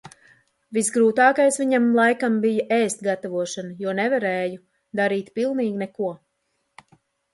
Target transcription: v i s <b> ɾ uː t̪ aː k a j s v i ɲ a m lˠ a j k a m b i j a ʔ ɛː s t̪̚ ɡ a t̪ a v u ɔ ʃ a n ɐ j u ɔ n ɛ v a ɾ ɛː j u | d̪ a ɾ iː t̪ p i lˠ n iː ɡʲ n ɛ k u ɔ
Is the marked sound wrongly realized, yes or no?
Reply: yes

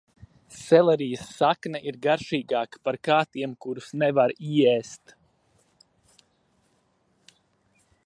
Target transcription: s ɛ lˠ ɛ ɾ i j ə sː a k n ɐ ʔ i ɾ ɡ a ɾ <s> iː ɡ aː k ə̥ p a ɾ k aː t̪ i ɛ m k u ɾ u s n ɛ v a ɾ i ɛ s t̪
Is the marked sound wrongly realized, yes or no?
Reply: yes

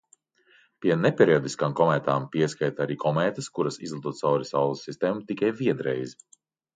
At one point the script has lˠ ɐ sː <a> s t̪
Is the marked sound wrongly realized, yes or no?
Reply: yes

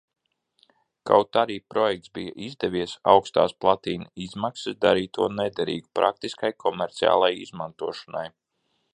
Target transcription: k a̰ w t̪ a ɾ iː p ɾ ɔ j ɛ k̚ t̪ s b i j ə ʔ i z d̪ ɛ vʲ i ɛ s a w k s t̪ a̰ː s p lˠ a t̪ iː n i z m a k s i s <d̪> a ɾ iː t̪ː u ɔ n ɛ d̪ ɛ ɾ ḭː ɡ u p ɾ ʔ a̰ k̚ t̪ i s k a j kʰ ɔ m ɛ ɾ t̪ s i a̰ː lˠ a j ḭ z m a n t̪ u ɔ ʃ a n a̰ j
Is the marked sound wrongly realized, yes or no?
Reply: no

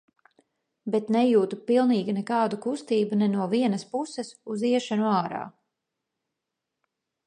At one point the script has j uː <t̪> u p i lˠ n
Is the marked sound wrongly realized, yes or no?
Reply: no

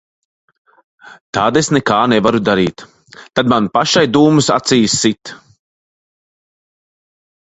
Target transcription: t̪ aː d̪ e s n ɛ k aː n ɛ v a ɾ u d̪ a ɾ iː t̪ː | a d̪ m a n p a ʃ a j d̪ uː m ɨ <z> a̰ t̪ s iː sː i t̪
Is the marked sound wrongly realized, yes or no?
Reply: yes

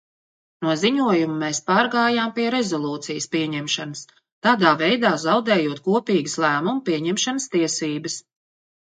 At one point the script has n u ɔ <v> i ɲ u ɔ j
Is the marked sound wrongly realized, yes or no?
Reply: yes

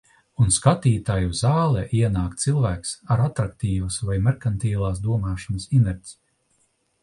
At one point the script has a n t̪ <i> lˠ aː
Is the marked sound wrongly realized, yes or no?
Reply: yes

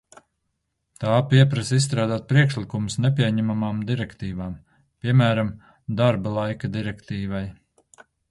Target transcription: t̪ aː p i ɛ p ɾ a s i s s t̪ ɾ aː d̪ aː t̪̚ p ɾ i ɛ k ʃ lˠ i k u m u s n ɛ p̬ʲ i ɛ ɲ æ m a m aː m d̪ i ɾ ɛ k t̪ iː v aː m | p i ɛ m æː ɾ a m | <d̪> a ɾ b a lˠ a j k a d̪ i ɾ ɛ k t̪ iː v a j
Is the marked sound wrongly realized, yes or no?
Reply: no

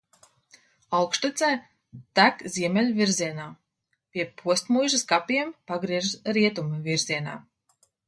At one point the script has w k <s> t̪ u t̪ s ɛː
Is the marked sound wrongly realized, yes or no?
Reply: yes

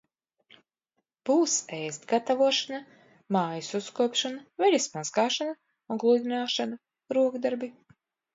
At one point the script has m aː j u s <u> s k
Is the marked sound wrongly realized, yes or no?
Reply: no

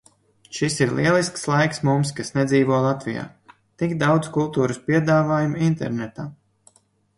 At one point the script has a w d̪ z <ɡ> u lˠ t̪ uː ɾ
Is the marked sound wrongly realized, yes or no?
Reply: yes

